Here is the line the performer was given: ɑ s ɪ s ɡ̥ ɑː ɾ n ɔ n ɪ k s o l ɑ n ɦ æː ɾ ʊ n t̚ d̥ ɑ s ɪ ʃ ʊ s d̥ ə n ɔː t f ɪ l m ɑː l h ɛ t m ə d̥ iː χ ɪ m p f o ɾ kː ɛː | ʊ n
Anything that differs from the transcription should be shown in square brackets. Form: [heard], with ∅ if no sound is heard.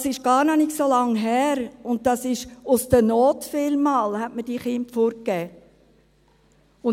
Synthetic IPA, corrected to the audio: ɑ s ɪ [ʃ] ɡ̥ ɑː ɾ n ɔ n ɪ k s o l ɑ [ŋ] ɦ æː ɾ ʊ n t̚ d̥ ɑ s ɪ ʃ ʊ s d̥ ə n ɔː t f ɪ l m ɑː l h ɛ t m ə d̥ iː χ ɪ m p f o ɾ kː ɛː | ʊ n